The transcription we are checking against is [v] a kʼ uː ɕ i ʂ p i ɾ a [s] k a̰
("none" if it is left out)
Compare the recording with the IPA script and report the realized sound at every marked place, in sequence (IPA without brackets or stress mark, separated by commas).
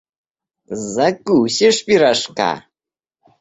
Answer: z, ʂ